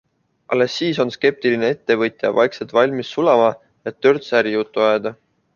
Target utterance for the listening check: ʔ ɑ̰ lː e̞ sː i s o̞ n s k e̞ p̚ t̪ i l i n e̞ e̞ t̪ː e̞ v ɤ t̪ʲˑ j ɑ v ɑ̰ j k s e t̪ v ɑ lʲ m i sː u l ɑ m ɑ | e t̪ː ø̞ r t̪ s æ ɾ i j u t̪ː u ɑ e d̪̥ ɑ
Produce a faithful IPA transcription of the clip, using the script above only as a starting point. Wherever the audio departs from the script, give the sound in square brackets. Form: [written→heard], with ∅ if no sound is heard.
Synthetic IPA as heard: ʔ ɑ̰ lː e̞ sː [i→iː] s o̞ n s k e̞ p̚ t̪ i l i n e̞ e̞ t̪ː e̞ v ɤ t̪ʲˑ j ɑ v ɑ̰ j k s e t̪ v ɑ lʲ m i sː u l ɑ m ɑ | e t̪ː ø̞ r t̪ s æ ɾ i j u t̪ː u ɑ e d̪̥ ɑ